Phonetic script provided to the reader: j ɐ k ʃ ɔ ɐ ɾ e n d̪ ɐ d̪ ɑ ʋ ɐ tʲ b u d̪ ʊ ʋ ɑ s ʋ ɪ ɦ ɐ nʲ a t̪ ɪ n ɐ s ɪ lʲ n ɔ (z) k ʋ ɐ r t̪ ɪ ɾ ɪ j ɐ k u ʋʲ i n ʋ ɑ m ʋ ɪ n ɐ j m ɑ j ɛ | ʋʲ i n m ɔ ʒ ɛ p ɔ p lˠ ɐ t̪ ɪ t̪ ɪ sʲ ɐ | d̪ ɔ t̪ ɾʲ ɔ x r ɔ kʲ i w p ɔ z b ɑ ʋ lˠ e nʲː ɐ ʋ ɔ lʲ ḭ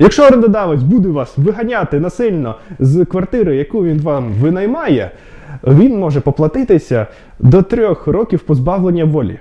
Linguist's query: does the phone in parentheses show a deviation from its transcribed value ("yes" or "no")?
no